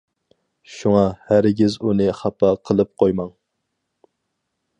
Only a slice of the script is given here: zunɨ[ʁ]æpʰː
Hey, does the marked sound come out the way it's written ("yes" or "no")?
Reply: no